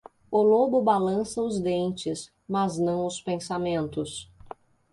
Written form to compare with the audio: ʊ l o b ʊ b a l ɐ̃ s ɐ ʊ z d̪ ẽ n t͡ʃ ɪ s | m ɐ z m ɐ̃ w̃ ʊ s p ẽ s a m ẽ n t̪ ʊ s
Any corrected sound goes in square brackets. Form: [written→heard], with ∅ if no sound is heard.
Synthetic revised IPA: ʊ l o b ʊ b a l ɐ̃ s ɐ ʊ z d̪ ẽ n t͡ʃ ɪ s | m ɐ z [m→n] ɐ̃ w̃ ʊ s p ẽ s a m ẽ n t̪ ʊ s